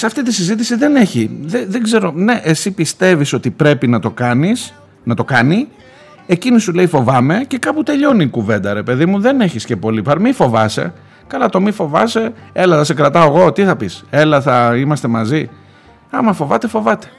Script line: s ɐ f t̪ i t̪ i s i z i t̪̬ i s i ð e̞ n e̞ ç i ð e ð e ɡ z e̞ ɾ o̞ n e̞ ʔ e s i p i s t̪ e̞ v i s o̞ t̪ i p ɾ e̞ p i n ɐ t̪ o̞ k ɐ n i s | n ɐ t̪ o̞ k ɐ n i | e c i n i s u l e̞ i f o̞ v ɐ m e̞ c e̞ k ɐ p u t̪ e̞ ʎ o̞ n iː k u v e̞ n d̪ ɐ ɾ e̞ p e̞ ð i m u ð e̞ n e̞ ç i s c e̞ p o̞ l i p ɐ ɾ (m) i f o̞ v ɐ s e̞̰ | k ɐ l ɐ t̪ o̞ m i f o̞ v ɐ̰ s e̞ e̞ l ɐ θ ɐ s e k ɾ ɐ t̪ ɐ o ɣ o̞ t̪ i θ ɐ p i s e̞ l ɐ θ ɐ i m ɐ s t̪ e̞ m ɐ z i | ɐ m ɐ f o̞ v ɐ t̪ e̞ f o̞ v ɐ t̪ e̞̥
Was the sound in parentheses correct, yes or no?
yes